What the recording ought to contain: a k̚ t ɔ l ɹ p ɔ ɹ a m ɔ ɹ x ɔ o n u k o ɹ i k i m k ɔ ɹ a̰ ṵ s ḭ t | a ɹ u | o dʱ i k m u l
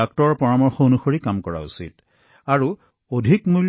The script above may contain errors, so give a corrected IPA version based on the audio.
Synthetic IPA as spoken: a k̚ t ɔ ɹ p ɔ ɹ a m ɔ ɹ x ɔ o n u x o ɹ i k a m k ɔ ɹ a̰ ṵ s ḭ t | a ɹ u | o dʱ i k m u l

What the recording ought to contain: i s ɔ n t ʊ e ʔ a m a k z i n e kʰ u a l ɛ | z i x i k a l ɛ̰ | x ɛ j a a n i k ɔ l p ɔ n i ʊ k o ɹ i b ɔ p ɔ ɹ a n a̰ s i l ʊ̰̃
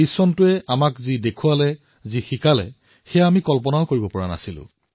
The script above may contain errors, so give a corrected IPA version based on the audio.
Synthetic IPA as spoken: i s ɔ n t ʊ ɛ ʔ a m a k z i d e kʰ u a l ɛ | z i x i k a l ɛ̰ | x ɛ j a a m i k ɔ l p ɔ n a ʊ k o ɹ i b ɔ p ɔ ɹ a n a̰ s i l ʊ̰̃

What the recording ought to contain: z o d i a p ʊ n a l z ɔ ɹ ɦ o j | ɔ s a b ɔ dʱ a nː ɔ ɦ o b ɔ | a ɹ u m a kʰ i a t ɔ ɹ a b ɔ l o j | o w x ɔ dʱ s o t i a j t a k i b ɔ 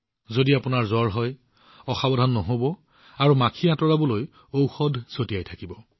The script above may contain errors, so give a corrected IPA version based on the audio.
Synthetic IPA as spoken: z o d i a p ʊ n a ɹ z ɔ ɹ ɦ ɔ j | ɔ x a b ɔ dʱ a nː ɔ ɦ o b ɔ | a ɹ u m a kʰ i a t ɔ ɹ a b ɔ l o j | o w x ɔ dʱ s o t i a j tʰ a k i b ɔ

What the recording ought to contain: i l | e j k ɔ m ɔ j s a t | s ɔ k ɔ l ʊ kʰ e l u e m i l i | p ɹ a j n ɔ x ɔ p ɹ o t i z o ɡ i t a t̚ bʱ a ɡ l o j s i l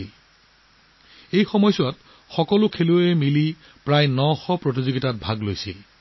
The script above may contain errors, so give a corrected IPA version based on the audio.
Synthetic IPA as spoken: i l | e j x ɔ m ɔ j s a t | x ɔ k ɔ l ʊ kʰ e l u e m i l i | p ɹ a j n ɔ x ɔ p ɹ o t i z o ɡ i t a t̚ bʱ a ɡ l o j s i l

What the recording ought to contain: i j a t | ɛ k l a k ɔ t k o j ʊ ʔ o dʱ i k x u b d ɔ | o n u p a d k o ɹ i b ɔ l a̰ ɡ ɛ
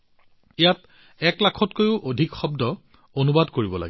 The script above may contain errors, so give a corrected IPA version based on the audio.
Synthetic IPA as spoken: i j a t | ɛ k l a kʰ ɔ t k o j ʊ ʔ o dʱ i k x ɔ b d ɔ | o n u b a d k o ɹ i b ɔ l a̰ ɡ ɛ

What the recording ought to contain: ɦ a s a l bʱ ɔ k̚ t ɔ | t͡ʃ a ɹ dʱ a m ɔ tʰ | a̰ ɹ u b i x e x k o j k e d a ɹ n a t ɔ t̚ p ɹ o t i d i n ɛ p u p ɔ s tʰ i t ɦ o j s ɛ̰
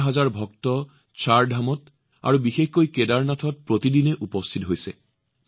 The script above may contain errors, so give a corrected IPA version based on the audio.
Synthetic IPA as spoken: ɦ a z a ɹ bʱ ɔ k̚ t ɔ | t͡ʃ a ɹ dʱ a m ɔ t | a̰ ɹ u b i x e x k o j k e d a ɹ n a tʰ ɔ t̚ p ɹ o t i d i n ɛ ʔ u p ɔ s tʰ i t ɦ o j s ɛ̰

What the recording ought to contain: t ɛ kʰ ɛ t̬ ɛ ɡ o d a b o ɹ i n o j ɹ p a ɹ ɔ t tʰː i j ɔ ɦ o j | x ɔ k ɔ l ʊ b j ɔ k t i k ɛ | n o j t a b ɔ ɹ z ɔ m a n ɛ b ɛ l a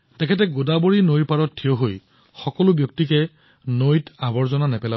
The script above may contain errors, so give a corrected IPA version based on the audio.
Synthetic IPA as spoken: t ɛ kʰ ɛ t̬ ɛ ɡ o d a b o ɹ i n o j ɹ p a ɹ ɔ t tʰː i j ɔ ɦ o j | x ɔ k ɔ l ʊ b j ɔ k t i k ɛ | n o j t a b ɔ ɹ z ɔ n a n ɛ p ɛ l a

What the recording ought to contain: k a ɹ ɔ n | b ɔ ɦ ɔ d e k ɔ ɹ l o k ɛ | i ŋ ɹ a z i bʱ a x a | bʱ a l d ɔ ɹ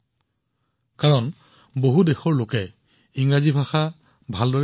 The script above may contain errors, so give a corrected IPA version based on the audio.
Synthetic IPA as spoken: k a ɹ ɔ n | b o ɦ u d e x ɔ ɹ l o k ɛ | i ŋ ɹ a z i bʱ a x a | bʱ a l d ɔ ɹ

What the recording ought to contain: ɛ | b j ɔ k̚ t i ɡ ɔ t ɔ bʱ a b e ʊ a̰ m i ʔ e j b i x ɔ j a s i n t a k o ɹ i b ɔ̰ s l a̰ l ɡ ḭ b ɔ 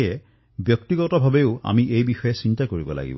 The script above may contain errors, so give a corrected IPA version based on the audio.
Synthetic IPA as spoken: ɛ | b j ɔ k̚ t i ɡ ɔ t ɔ bʱ a b e ʊ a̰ m i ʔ e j b i x ɔ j ɛ s i n t a k o ɹ i b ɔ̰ l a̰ ɡ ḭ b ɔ

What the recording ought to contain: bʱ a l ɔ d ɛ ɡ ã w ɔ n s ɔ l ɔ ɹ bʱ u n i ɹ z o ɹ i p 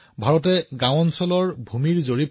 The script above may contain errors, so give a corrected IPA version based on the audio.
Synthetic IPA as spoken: bʱ a ɹ ɔ t ɛ ɡ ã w ɔ n s ɔ l ɔ ɹ bʱ u m i ɹ z o ɹ i p

